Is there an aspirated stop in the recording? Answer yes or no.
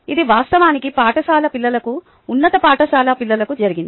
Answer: no